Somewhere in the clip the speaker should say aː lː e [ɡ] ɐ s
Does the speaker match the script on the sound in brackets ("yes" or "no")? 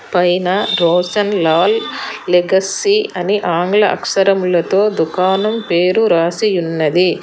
yes